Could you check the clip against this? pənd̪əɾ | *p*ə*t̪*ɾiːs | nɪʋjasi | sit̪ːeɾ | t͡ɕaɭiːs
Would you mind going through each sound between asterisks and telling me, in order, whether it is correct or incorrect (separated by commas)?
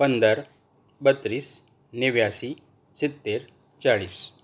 incorrect, correct